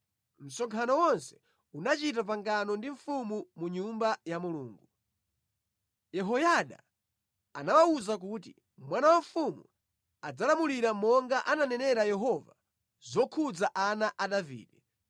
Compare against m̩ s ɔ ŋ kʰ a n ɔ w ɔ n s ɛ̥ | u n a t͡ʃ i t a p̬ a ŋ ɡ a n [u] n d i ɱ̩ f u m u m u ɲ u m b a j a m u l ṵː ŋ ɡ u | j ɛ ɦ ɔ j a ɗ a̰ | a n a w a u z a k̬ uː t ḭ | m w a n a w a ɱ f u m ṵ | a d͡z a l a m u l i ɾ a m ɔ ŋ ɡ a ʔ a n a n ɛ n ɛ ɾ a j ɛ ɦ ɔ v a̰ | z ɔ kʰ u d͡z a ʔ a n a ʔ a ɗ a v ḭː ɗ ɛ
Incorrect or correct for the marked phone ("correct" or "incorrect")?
incorrect